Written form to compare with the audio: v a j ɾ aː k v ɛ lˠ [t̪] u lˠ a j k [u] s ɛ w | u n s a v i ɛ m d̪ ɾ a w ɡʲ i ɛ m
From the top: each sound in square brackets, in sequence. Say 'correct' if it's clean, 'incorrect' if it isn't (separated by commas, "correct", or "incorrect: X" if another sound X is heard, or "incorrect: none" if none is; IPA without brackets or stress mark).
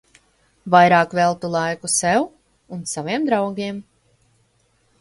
correct, correct